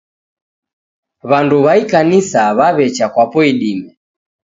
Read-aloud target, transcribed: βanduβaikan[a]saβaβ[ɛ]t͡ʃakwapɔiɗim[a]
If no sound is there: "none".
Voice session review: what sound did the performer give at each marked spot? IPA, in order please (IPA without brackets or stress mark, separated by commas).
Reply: i, ɛ, ɛ